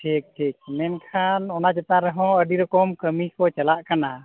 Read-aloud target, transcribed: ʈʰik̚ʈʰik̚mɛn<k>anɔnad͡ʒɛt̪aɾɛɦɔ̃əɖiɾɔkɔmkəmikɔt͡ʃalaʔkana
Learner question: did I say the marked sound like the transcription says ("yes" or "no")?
no